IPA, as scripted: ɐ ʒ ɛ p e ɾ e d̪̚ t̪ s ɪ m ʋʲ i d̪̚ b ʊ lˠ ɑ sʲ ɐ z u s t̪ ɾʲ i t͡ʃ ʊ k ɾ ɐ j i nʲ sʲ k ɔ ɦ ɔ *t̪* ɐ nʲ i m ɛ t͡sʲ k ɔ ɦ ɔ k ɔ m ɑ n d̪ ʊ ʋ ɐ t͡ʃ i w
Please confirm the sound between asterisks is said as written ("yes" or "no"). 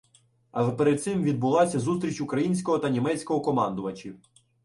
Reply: yes